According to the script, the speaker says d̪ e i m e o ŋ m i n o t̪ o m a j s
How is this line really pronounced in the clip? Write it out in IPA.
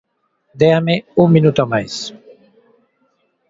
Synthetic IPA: d̪ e a m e u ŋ m i n u t̪ o m a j s